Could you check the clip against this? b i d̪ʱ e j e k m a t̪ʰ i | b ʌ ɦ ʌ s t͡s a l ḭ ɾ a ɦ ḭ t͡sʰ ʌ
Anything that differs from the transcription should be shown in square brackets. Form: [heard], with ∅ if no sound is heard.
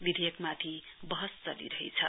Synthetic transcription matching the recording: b i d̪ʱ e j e k m a t̪ʰ i | b ʌ ɦ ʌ s t͡s [ʌ] l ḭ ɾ [ʌ] ɦ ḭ t͡sʰ ʌ